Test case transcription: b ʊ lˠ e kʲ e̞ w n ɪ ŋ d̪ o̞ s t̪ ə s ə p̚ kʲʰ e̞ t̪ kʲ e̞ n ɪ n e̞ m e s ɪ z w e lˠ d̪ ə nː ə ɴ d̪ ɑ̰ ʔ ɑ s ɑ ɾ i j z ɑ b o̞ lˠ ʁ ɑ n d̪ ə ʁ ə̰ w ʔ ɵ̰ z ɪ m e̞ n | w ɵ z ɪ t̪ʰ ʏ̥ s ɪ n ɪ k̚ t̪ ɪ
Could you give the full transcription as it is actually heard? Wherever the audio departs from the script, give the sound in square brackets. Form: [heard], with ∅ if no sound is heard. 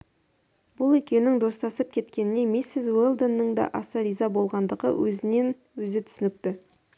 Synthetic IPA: b ʊ lˠ e kʲ e̞ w n ɪ ŋ d̪ o̞ s t̪ [ɑ] s ə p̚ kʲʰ e̞ t̪ kʲ e̞ n ɪ n e̞ m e s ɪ z w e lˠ d̪ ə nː ə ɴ d̪ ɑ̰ ʔ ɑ s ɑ ɾ i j z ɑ b o̞ lˠ ʁ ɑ n d̪ ə ʁ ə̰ w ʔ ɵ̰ z ɪ [n] e̞ n | w ɵ z ɪ t̪ʰ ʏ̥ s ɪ n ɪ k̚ t̪ ɪ